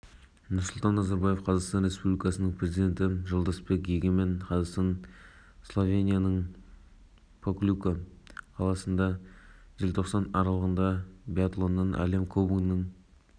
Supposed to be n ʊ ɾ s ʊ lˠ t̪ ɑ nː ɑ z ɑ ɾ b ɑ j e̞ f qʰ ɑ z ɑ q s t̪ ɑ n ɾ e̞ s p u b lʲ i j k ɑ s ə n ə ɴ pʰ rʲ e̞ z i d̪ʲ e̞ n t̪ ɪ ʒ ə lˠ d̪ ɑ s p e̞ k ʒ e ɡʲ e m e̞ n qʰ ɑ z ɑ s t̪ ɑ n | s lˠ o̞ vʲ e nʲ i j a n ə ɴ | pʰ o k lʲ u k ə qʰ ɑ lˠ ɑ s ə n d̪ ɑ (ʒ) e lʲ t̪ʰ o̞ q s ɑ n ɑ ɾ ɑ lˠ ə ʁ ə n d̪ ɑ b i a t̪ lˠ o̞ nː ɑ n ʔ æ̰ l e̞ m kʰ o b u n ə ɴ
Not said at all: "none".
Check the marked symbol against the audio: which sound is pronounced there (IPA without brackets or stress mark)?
ʒ